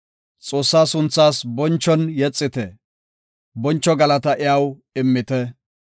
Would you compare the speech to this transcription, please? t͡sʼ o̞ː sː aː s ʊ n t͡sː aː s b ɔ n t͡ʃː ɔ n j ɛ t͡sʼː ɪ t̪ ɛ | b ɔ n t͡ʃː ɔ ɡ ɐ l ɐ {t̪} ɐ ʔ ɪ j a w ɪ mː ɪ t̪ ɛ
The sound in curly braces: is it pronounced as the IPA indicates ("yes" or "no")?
yes